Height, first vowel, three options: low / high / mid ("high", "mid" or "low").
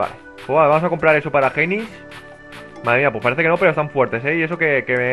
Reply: low